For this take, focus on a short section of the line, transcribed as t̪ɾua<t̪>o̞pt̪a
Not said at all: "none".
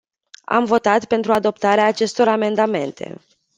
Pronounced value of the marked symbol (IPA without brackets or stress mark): d̪